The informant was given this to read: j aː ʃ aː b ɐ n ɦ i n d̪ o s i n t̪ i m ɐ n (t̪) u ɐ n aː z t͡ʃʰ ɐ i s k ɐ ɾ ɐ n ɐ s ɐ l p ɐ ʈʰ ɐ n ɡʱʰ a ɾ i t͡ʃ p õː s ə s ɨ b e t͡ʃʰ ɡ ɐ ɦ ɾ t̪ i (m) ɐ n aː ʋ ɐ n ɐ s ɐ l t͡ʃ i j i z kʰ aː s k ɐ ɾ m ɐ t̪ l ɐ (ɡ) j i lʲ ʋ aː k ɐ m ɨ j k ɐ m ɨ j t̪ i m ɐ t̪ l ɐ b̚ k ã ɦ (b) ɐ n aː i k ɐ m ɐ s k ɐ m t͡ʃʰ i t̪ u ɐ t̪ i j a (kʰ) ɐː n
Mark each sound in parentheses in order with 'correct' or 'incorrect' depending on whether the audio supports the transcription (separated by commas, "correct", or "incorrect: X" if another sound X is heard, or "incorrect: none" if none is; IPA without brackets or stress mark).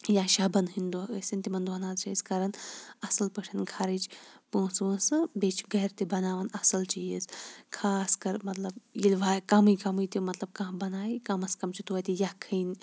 incorrect: d̪, incorrect: b, incorrect: b, correct, correct